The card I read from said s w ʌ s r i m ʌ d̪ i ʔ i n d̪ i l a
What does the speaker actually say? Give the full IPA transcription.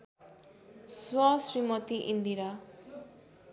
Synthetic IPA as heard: s w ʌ s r i m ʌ t̪ i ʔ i n d̪ i ɾ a